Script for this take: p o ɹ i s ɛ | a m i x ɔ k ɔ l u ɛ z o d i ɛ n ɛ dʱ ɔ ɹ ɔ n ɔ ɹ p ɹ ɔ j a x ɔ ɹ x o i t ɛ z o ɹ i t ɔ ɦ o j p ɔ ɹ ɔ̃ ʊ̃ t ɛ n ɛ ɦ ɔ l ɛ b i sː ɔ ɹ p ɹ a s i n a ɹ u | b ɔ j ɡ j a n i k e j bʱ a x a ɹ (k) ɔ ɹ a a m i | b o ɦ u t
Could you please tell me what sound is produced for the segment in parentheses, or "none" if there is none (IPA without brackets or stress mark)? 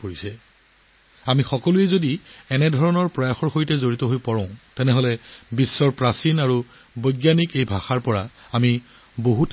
p